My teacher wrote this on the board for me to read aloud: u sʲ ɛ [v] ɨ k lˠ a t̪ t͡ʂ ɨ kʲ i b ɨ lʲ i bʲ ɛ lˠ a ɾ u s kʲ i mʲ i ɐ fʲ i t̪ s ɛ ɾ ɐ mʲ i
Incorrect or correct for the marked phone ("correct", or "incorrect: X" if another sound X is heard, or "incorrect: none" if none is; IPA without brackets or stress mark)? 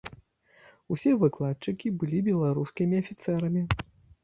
correct